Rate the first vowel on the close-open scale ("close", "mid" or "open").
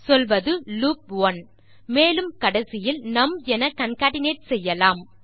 mid